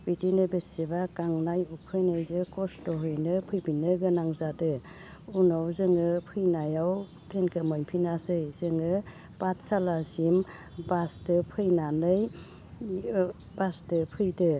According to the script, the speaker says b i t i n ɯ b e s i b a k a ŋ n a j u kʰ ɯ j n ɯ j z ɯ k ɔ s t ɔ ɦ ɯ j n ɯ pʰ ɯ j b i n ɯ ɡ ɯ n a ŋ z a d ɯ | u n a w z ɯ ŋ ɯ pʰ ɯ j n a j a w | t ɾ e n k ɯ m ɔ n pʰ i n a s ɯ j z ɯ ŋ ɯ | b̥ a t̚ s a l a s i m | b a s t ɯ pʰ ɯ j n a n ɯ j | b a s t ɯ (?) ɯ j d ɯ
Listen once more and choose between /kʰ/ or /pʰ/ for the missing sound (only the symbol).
pʰ